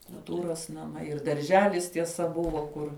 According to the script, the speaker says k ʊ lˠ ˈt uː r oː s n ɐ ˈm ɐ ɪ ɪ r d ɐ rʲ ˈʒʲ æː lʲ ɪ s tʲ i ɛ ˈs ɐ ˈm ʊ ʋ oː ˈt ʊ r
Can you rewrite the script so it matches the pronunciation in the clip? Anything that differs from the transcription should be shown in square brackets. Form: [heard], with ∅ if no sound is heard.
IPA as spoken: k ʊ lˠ ˈt uː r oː s n ɐ ˈm ɐ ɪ ɪ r d ɐ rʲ ˈʒʲ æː lʲ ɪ s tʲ i ɛ ˈs ɐ [ˈb] ʊ ʋ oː [ˈk] ʊ r

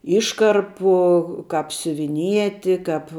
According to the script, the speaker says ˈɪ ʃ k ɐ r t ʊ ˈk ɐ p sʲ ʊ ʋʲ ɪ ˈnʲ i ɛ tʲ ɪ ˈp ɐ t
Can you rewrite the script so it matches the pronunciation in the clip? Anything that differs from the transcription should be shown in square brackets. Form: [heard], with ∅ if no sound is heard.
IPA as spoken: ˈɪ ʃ k ɐ r [p] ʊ ˈk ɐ p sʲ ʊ ʋʲ ɪ ˈnʲ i ɛ tʲ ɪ [ˈk] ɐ [p]

